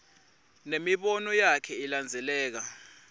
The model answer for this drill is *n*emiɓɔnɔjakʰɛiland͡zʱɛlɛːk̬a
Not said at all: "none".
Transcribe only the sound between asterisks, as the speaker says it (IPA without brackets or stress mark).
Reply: n